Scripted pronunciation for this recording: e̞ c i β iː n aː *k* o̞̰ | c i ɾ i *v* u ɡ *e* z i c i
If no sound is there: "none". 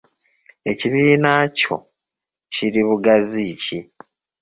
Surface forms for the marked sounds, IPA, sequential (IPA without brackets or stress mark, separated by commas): c, β, a